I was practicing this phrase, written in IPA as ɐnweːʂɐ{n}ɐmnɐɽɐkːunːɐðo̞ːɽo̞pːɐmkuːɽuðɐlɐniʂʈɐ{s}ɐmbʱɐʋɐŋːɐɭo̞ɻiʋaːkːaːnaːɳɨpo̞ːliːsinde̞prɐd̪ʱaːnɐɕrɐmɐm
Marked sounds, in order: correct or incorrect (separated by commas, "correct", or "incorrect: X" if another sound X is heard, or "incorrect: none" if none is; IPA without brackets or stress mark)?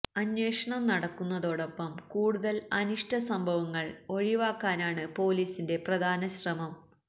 incorrect: ɳ, correct